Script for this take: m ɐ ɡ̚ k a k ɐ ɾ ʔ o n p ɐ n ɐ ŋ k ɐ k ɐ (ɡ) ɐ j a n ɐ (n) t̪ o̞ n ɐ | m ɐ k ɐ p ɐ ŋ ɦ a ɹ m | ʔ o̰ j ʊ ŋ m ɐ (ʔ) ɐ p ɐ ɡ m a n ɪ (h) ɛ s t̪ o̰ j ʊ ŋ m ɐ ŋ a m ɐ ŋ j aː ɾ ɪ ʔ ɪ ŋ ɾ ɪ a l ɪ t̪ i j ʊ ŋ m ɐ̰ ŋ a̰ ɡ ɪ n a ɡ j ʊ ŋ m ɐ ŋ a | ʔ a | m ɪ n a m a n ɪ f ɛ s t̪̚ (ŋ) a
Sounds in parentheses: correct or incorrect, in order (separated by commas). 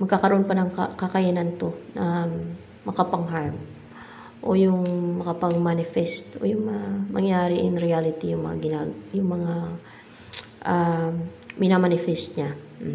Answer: incorrect, correct, incorrect, incorrect, incorrect